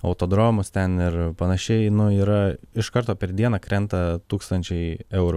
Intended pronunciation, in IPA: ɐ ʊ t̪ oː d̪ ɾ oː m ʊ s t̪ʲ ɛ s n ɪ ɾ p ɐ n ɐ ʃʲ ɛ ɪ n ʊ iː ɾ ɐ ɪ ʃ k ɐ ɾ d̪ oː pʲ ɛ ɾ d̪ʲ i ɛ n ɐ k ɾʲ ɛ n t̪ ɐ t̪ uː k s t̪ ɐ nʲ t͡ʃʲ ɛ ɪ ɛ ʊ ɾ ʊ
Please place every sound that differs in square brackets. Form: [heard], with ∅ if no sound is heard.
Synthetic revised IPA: ɐ ʊ t̪ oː d̪ ɾ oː m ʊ s t̪ʲ ɛ [∅] n ɪ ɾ p ɐ n ɐ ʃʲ ɛ ɪ n ʊ iː ɾ ɐ ɪ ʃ k ɐ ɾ [t̪] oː pʲ ɛ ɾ d̪ʲ i ɛ n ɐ k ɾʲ ɛ n t̪ ɐ t̪ uː k s t̪ ɐ nʲ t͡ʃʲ ɛ ɪ ɛ ʊ ɾ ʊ